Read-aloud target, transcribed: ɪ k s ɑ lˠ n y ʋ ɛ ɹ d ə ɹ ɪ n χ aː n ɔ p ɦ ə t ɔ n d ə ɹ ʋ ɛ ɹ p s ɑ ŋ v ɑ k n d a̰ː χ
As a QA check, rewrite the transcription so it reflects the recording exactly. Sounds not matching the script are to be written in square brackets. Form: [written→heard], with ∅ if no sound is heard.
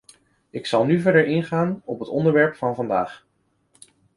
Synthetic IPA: ɪ k s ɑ lˠ n y [ʋ→v] ɛ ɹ d ə ɹ ɪ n χ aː n ɔ p ɦ ə t ɔ n d ə ɹ ʋ ɛ ɹ p [s→f] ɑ [ŋ→n] v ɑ [k→∅] n d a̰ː χ

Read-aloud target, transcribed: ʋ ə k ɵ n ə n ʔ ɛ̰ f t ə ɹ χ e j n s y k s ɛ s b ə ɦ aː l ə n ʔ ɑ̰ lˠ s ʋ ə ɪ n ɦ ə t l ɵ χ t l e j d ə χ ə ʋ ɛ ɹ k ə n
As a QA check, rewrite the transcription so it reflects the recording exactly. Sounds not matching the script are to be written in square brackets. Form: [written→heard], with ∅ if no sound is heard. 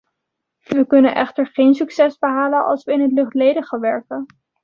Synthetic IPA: ʋ ə k ɵ n ə n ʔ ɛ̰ [f→χ] t ə ɹ χ e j n s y k s ɛ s b ə ɦ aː l ə n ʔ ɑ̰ lˠ s ʋ ə ɪ n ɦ ə t l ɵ χ t l e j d ə χ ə ʋ ɛ ɹ k ə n

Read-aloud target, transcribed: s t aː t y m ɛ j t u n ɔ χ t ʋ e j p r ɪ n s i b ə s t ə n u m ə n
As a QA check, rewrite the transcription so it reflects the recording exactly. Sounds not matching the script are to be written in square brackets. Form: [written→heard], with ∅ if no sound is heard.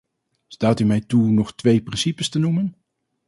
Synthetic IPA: s t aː t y m ɛ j t u n ɔ χ t ʋ e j p r ɪ n s i [b→p] ə s t ə n u m ə n

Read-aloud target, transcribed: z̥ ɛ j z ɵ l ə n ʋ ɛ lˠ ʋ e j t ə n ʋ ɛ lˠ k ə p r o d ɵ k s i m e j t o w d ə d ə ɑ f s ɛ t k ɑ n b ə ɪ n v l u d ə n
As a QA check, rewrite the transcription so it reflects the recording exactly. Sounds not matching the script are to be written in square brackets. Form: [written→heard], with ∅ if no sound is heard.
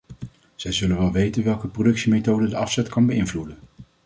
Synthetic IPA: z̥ ɛ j z ɵ l ə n ʋ ɛ lˠ ʋ e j t ə n ʋ ɛ lˠ k ə p r o d ɵ k s i m e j t o w d ə d ə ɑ f s ɛ t k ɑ n b ə ɪ n v l u d ə n

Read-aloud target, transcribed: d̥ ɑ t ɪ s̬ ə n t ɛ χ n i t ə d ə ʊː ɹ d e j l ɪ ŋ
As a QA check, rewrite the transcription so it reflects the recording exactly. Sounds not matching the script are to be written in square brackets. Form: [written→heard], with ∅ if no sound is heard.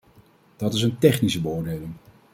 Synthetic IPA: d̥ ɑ t ɪ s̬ ə n t ɛ χ n i [t→s] ə [d→b] ə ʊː ɹ d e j l ɪ ŋ

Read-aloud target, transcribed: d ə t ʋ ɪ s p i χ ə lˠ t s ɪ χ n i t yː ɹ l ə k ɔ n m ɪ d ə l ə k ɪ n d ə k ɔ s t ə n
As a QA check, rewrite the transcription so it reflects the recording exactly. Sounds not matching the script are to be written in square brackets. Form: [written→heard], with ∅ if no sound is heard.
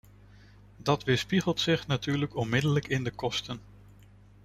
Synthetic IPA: d [ə→ɑ] t ʋ ɪ s p i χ ə lˠ t s ɪ χ n [i→a] t yː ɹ l ə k ɔ n m ɪ d ə l ə k ɪ n d ə k ɔ s t ə n

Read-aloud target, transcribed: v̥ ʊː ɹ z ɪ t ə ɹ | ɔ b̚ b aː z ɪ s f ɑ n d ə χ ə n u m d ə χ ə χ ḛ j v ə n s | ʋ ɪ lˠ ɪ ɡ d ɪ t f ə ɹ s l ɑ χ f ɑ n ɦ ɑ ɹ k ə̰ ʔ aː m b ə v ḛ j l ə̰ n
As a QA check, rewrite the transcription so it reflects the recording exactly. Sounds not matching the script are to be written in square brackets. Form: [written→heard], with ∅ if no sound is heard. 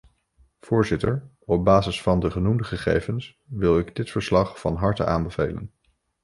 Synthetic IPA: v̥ ʊː ɹ z ɪ t ə ɹ | ɔ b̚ b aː z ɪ s f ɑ n d ə χ ə n u m d ə χ ə χ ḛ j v ə n s | ʋ ɪ lˠ ɪ ɡ d ɪ t f ə ɹ s l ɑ χ f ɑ n ɦ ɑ ɹ [k→t] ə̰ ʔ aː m b ə v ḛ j l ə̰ n

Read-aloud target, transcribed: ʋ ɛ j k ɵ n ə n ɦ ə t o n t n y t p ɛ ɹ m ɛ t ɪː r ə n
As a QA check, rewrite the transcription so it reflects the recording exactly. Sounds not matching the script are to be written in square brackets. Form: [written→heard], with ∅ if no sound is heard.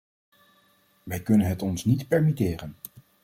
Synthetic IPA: ʋ ɛ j k ɵ n ə n ɦ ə t [o→ɔ] n [t→s] n [y→i] t p ɛ ɹ m [ɛ→i] t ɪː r ə n

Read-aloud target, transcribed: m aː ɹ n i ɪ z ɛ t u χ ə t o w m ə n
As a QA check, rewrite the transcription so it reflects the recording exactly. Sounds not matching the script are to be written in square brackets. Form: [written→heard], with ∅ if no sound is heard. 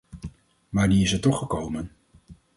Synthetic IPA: m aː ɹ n i ɪ [z→s] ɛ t [u→ɔ] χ ə [t→k] o w m ə n

